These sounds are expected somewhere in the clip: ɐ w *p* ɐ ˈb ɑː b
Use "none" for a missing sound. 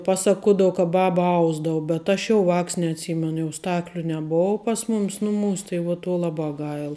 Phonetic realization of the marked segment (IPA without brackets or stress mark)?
k